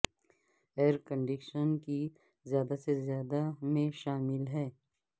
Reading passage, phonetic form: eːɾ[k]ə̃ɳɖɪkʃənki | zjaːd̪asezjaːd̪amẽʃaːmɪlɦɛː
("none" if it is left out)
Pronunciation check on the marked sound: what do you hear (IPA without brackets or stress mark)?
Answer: k